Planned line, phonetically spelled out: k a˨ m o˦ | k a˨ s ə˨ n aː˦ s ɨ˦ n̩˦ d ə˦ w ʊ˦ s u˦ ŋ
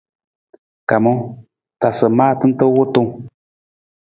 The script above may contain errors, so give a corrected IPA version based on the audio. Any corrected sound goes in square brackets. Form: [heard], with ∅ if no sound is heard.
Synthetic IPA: k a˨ m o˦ | [t] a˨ s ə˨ [m] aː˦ [t] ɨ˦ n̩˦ [t] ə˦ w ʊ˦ [t] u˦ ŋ